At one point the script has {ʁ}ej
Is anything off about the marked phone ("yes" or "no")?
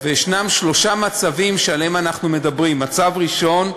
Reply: yes